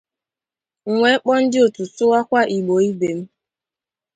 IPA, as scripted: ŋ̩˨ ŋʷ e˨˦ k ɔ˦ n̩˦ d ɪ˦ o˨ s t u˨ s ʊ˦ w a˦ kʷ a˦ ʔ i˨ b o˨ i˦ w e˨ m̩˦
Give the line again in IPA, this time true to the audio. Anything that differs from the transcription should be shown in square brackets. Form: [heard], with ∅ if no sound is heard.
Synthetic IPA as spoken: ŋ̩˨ ŋʷ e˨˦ [k͡p] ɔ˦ n̩˦ d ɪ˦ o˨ [∅] t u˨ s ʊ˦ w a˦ kʷ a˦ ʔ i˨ [ɡ͡b] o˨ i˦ [b] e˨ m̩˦